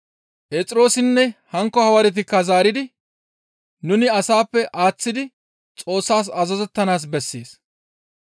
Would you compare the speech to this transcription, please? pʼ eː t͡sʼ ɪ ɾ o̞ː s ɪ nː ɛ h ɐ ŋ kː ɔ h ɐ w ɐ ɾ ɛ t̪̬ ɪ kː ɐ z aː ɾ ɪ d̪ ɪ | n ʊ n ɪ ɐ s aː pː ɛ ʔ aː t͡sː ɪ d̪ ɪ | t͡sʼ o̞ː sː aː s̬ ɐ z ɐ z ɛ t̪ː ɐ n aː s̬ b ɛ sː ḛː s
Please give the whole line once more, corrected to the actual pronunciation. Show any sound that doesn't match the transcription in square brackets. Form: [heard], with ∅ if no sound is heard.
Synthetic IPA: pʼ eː t͡sʼ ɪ ɾ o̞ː s ɪ nː ɛ h ɐ ŋ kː ɔ h ɐ w ɐ ɾ ɛ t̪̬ ɪ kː ɐ z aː ɾ ɪ d̪ ɪ | n ʊ n ɪ ɐ s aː pː ɛ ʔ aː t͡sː ɪ d̪ ɪ | t͡sʼ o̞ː sː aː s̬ ɐ z ɐ z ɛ t̪ː ɐ n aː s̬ b ɛ sː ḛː s